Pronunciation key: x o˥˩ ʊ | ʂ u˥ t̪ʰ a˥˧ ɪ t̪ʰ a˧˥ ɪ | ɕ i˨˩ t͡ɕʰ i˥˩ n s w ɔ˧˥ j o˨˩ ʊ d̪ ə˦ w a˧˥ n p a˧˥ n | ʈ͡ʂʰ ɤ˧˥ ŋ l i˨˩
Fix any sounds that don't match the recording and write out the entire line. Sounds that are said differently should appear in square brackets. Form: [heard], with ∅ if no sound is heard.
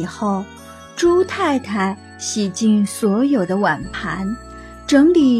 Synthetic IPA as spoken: x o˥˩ ʊ | [ʈ͡ʂ] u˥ t̪ʰ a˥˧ ɪ t̪ʰ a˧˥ ɪ | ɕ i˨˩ [t͡ɕ] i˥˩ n s w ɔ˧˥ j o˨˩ ʊ d̪ ə˦ w [a˨˩] n [pʰ] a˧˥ n | [ʈ͡ʂ] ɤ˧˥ ŋ l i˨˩